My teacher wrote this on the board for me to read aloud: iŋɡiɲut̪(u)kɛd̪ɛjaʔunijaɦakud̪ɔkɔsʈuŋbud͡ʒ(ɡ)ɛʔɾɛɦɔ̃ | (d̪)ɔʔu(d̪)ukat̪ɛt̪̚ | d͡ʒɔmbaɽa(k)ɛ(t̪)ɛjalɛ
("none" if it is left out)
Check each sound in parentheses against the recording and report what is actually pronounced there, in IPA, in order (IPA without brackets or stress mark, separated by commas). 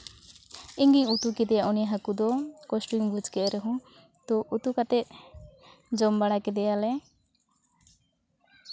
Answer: u, k, t̪, t̪, k, d̪